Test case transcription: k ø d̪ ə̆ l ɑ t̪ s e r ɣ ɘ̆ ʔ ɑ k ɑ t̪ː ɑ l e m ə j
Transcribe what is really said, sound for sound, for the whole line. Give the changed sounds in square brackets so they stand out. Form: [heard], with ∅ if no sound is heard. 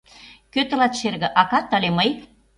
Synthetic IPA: k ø [t̪] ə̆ l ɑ t̪ [ʃ] e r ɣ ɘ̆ ʔ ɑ k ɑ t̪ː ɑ l e m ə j